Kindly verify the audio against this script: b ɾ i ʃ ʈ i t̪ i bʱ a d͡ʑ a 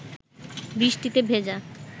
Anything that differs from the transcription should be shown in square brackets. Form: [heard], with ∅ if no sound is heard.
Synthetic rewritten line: b ɾ i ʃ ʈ i t̪ [e] bʱ [e] d͡ʑ a